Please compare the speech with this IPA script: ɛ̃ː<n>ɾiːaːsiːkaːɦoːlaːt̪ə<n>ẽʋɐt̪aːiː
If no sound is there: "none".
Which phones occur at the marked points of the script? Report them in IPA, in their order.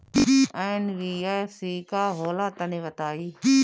n, n

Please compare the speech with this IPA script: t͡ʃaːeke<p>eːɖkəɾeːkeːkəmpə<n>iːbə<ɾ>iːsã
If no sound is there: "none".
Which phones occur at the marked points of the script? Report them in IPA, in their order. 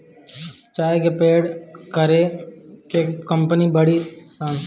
p, n, ɽ

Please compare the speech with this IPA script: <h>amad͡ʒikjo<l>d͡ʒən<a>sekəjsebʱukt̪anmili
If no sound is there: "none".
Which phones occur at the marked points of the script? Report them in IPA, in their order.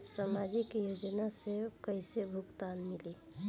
s, none, a

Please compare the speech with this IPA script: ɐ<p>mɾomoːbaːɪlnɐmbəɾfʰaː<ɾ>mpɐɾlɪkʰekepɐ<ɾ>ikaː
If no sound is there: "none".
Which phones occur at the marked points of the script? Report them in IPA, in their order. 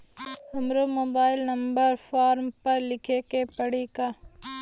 none, ɾ, ɽ

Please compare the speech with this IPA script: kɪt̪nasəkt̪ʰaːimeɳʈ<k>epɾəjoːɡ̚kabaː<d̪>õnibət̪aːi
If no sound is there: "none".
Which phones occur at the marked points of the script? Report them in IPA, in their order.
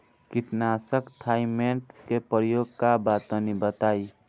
k, t̪

